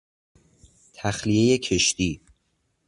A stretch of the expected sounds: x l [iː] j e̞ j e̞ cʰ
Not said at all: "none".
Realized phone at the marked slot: i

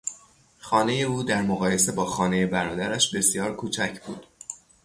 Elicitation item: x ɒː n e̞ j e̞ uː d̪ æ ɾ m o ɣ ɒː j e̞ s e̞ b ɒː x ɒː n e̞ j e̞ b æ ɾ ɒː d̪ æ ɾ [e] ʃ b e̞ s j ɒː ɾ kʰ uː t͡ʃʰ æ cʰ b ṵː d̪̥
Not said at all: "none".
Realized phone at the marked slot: æ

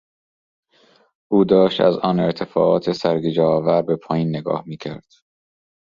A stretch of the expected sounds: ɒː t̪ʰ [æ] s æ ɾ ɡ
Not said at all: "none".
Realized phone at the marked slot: e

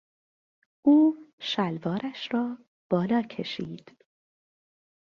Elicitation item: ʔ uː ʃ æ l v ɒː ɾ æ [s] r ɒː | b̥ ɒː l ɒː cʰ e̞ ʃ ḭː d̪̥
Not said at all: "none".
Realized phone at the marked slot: ʃ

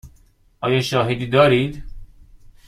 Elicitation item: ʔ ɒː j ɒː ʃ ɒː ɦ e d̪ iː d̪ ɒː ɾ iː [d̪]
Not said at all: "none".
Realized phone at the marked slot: d̪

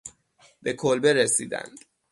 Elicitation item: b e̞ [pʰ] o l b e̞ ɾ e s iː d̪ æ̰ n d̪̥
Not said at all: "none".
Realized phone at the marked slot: kʰ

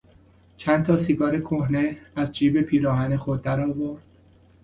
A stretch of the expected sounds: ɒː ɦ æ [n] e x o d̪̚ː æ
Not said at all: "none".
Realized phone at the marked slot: n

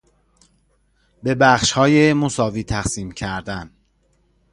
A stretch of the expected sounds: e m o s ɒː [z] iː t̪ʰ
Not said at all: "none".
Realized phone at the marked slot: v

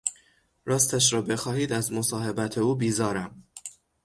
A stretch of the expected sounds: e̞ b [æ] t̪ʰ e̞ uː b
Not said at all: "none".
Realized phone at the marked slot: æ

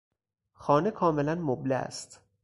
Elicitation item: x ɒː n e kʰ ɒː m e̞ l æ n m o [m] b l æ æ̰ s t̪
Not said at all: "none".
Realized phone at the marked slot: none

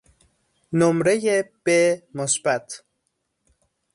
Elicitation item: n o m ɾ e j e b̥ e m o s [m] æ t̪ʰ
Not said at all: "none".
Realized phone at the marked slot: b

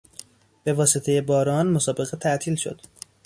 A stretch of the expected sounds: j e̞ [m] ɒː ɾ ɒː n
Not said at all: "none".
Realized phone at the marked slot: b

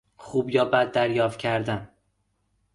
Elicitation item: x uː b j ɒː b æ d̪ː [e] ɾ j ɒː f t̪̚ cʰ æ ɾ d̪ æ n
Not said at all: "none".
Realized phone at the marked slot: æ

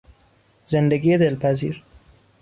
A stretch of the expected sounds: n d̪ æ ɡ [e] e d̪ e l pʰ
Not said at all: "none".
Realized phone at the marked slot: i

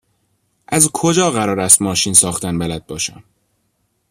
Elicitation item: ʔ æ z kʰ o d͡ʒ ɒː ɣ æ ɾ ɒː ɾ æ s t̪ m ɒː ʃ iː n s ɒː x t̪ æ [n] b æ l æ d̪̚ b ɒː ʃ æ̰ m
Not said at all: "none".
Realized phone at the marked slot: n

